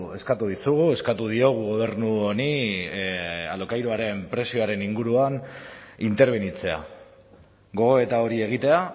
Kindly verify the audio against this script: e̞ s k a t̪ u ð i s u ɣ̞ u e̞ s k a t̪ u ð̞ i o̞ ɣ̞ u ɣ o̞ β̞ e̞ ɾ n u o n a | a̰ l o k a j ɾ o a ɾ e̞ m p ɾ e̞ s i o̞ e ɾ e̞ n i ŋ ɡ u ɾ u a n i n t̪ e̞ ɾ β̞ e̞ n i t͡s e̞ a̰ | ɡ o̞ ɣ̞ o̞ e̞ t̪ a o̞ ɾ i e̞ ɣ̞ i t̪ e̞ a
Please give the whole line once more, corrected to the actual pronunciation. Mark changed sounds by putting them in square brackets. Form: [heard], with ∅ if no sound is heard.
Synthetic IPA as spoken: e̞ s k a t̪ u ð i s u ɣ̞ u e̞ s k a t̪ u ð̞ i o̞ ɣ̞ u ɣ o̞ β̞ e̞ ɾ n u o n [i] | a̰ l o k a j ɾ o a ɾ e̞ m p ɾ e̞ s i o̞ [a] ɾ e̞ n i ŋ ɡ u ɾ u a n i n t̪ e̞ ɾ β̞ e̞ n i t͡s e̞ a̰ | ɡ o̞ ɣ̞ o̞ e̞ t̪ a o̞ ɾ i e̞ ɣ̞ i t̪ e̞ a